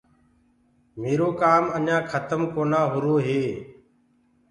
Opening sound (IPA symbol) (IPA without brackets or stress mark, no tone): m